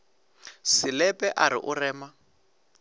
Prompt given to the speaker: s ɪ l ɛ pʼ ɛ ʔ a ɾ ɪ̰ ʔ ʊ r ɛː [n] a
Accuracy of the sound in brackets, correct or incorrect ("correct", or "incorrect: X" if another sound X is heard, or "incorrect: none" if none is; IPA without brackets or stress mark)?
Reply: incorrect: m